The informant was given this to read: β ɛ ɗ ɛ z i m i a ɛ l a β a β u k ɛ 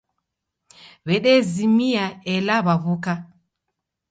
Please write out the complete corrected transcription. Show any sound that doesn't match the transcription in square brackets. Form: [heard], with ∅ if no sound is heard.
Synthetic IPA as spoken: β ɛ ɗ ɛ z i m i a ɛ l a β a β u k [a]